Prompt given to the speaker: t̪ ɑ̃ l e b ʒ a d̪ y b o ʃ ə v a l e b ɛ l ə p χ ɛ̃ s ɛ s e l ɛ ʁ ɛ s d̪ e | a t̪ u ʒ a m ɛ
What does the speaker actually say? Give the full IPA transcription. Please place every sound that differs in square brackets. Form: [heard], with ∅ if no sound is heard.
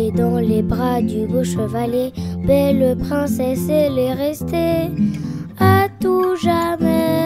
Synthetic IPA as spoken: [d̪] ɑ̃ l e b [ʁ] a d̪ y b o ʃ ə v a l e b ɛ l ə p χ ɛ̃ s ɛ s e l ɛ ʁ ɛ s [t̪] e | a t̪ u ʒ a m ɛ